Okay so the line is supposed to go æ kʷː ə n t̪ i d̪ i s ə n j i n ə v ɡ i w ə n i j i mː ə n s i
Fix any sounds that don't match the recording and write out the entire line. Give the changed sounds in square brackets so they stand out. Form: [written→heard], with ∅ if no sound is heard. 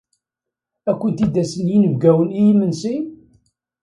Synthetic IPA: æ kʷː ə n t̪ i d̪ [i→æ] s ə n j i n ə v ɡ [i→æ] w ə n i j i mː ə n s i